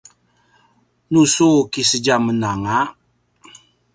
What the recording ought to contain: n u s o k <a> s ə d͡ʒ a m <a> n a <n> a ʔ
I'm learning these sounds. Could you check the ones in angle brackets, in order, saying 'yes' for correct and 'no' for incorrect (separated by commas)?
no, no, no